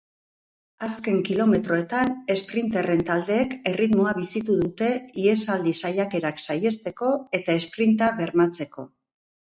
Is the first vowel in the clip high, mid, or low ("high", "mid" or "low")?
low